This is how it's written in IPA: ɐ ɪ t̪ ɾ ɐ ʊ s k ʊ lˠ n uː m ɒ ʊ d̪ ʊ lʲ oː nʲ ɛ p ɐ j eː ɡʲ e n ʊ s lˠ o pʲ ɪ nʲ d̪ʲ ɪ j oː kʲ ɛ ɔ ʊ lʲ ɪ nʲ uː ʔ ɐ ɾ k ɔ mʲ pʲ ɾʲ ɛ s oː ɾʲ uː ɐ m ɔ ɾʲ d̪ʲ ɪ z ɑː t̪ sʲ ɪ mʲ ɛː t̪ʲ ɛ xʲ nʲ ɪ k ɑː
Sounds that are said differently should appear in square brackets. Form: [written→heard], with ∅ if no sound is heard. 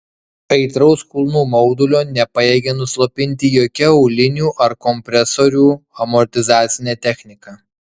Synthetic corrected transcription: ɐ ɪ t̪ ɾ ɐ ʊ s k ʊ lˠ n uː m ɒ ʊ d̪ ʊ lʲ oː nʲ ɛ p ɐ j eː ɡʲ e n ʊ s lˠ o pʲ ɪ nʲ [d̪ʲ→t̪ʲ] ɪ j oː kʲ ɛ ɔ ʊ lʲ ɪ nʲ uː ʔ ɐ ɾ k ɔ mʲ pʲ ɾʲ ɛ s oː ɾʲ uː ɐ m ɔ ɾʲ [d̪ʲ→t̪ʲ] ɪ z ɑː t̪ sʲ ɪ [mʲ→nʲ] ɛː t̪ʲ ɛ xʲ nʲ ɪ k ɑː